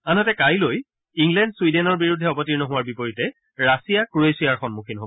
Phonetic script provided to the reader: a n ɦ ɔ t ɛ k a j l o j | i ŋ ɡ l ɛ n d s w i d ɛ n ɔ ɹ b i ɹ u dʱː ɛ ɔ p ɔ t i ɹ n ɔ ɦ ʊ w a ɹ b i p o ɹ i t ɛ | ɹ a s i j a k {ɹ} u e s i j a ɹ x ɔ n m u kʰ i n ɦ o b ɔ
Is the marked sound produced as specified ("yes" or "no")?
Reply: yes